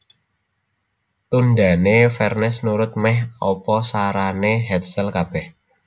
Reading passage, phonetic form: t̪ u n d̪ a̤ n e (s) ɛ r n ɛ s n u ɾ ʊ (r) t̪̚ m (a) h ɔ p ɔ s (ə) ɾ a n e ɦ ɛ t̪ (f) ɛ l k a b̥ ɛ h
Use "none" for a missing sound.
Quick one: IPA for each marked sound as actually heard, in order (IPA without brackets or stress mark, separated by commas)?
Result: f, none, ɛ, a, s